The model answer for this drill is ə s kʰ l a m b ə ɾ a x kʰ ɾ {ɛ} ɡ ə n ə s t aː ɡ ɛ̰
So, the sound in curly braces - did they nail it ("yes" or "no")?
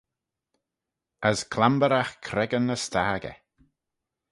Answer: yes